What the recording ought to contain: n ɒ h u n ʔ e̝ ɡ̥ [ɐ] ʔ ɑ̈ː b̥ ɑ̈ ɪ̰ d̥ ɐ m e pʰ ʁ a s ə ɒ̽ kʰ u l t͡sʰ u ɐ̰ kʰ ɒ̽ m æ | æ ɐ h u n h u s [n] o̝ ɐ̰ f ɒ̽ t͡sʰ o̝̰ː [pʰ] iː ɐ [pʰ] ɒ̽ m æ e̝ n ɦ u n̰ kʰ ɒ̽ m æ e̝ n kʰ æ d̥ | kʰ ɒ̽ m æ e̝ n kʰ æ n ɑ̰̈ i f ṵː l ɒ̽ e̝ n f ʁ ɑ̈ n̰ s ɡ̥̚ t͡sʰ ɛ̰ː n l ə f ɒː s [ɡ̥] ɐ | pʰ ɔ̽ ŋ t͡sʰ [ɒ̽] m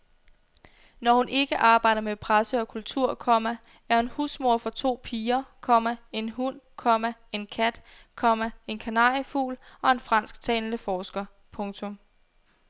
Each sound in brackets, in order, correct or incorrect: incorrect, incorrect, correct, incorrect, correct, incorrect

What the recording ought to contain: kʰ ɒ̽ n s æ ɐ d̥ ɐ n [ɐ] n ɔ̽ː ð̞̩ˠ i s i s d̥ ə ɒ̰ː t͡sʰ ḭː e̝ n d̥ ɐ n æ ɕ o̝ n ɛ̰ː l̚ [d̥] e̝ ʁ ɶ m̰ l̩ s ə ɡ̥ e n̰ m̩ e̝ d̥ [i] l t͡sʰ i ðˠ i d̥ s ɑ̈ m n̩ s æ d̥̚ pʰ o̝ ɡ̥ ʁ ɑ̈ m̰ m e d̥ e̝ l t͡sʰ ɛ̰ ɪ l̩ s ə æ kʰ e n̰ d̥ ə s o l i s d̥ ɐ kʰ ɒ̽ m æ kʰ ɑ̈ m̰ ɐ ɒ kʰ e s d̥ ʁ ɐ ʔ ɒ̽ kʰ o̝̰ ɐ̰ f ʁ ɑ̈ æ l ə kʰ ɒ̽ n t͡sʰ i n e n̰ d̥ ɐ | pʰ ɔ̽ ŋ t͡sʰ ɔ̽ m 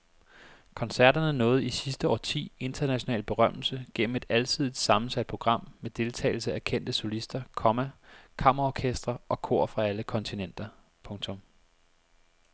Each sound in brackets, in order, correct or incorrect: incorrect, incorrect, incorrect

